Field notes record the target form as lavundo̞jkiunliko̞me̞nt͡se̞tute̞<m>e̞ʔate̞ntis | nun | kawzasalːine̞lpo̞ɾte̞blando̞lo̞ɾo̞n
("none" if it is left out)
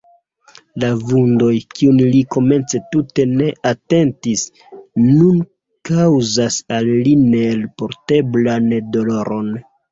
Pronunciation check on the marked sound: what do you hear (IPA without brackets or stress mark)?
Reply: n